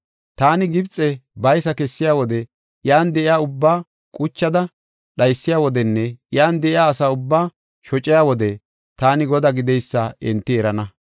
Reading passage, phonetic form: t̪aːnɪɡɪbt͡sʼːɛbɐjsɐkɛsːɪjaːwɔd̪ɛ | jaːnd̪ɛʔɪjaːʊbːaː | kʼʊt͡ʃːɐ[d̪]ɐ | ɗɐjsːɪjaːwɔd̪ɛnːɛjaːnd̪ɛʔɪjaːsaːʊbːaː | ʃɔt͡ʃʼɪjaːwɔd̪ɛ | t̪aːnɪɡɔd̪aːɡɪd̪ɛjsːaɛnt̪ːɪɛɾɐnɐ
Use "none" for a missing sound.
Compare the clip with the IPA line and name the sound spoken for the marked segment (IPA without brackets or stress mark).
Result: d̪